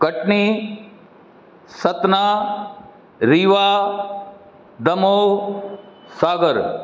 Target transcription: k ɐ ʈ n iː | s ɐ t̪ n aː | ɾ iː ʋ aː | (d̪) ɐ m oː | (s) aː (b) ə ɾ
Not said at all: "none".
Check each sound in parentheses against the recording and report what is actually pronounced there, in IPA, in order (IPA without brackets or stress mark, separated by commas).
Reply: d̪, s, ɡ